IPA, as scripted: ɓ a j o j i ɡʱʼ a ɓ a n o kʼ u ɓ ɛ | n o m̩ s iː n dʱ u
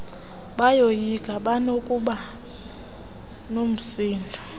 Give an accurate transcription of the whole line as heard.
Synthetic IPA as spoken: ɓ a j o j i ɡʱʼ a ɓ a n o kʼ u ɓ a | n o m̩ s iː n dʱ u